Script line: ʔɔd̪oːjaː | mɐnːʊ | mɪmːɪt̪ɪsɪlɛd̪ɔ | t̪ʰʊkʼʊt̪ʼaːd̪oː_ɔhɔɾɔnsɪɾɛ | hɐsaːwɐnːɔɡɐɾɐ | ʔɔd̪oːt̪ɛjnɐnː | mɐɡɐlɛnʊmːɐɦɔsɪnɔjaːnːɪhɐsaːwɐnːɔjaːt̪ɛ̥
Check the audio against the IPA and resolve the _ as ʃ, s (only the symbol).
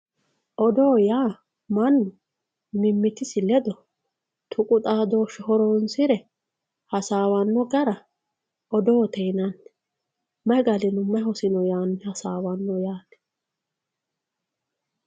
ʃ